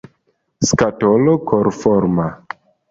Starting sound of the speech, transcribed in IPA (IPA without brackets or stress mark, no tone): s